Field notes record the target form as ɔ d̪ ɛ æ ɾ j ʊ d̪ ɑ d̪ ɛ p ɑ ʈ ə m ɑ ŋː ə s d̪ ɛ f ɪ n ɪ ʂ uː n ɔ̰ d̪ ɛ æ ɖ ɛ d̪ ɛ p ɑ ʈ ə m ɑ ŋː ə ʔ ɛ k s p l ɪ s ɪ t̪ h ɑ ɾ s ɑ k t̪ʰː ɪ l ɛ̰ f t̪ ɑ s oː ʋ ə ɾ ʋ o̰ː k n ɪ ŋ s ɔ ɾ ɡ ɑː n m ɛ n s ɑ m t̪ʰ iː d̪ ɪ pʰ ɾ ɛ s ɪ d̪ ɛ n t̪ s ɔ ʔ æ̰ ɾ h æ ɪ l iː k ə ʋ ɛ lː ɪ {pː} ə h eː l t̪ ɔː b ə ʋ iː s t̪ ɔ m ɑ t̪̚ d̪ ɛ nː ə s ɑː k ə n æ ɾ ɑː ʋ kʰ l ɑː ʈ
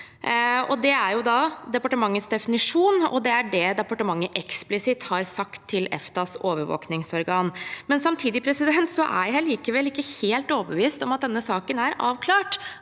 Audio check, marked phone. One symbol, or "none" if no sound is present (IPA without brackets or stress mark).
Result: kː